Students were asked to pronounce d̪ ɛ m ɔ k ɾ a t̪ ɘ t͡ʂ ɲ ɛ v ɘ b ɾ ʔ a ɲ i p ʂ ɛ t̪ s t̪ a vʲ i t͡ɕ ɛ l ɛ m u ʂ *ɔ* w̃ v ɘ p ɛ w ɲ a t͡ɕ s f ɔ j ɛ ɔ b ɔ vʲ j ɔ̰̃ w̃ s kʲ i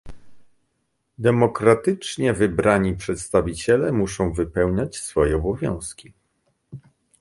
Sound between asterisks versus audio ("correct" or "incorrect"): incorrect